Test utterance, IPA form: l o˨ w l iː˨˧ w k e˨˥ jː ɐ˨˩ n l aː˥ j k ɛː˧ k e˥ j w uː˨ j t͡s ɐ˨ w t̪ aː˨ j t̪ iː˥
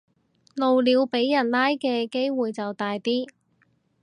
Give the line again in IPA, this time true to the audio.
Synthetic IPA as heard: l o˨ w l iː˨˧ w p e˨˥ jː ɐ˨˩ n l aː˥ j k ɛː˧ k e˥ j w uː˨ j t͡s ɐ˨ w t̪ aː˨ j t̪ iː˥